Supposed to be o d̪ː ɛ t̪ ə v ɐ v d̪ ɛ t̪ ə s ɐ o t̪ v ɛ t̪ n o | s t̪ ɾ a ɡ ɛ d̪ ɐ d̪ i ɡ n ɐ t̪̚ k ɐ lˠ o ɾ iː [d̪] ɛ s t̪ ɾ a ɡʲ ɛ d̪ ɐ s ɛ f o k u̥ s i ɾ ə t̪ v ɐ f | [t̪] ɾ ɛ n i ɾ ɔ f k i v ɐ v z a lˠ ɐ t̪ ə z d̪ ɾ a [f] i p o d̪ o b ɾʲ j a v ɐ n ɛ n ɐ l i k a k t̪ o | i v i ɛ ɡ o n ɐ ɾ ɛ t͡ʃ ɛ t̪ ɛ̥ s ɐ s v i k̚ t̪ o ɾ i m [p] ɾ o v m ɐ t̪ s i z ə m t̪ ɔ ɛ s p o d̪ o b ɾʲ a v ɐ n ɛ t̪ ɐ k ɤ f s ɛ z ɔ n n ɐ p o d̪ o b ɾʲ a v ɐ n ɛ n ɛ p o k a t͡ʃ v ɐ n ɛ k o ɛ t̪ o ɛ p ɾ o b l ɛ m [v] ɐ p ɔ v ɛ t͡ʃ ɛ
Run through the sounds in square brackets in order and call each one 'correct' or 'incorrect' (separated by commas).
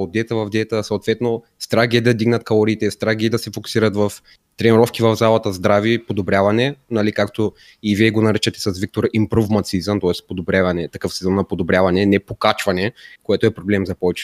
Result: incorrect, correct, incorrect, correct, incorrect